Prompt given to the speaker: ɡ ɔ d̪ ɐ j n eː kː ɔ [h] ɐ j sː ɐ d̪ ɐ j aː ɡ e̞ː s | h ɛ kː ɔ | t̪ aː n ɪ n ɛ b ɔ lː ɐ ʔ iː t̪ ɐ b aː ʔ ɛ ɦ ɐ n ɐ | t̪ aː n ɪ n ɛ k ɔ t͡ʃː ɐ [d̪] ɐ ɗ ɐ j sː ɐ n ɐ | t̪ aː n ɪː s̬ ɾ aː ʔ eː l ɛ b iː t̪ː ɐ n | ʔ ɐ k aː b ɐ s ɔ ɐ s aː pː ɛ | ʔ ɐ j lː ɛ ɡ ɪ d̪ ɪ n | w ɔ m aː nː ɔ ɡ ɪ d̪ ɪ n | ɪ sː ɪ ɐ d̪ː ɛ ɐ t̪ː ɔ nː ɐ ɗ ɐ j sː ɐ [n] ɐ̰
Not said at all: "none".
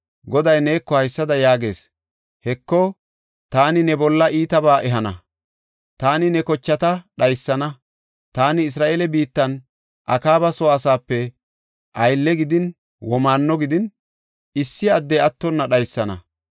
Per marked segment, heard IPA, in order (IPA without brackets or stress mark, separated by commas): h, t̪, n